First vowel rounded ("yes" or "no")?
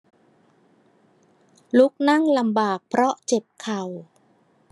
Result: yes